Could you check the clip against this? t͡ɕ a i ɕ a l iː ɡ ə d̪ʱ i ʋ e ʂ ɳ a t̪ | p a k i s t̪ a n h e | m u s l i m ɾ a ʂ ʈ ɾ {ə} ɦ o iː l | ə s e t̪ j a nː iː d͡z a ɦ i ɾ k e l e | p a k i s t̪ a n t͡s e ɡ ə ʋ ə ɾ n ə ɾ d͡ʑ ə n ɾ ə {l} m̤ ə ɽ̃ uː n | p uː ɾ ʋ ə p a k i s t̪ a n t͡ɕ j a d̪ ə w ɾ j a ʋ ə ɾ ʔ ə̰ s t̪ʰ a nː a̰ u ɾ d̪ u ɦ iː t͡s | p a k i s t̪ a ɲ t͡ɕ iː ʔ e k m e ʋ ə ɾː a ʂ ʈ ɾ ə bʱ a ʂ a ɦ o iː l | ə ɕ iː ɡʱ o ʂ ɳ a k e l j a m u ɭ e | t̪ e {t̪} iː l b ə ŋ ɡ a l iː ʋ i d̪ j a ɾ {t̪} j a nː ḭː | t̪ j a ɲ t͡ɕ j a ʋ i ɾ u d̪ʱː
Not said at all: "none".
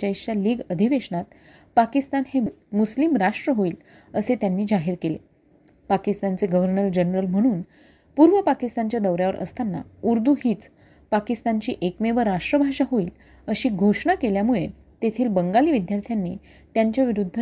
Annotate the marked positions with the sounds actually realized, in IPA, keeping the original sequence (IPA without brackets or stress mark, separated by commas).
ə, l, t̪ʰ, t̪ʰ